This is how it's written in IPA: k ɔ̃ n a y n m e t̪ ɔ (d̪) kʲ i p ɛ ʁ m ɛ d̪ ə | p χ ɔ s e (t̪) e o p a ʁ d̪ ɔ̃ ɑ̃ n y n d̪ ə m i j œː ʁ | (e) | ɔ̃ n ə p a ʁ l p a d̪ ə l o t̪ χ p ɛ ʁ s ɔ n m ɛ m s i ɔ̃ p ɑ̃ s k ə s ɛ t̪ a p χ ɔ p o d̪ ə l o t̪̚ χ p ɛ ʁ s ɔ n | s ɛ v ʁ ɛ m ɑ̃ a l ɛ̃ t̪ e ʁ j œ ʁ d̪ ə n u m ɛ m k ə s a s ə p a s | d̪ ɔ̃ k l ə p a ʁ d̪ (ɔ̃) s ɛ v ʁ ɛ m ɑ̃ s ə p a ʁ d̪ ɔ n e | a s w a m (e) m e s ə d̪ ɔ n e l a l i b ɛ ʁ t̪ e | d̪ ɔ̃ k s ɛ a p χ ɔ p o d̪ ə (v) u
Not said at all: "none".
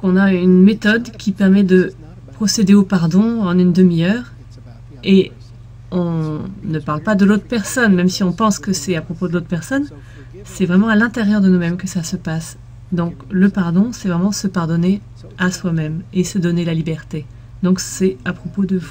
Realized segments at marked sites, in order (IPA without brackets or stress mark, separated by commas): d̪, d̪, e, ɔ̃, ɛ, v